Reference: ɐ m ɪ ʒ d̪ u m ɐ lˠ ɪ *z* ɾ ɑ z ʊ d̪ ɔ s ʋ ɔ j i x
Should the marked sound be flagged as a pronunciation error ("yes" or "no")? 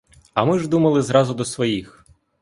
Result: no